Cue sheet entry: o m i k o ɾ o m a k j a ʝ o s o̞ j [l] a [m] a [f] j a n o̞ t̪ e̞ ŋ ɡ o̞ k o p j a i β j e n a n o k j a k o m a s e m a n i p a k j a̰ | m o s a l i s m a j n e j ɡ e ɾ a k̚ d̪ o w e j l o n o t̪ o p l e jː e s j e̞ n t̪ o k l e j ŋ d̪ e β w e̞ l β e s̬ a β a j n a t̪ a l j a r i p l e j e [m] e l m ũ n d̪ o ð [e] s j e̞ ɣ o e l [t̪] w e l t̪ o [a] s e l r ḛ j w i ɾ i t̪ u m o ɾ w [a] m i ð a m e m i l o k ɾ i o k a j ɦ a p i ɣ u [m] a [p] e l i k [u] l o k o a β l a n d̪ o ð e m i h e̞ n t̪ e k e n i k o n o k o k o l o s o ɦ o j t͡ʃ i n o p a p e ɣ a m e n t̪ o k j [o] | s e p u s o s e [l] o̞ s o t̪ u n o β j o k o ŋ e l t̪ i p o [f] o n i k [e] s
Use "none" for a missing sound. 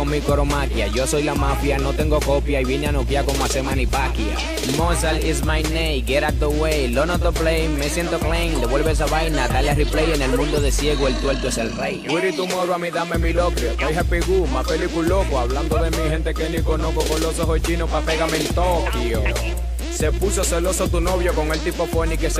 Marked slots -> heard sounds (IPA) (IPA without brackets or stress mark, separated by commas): l, m, f, n, e, t̪, e, a, m, p, u, o, l, f, e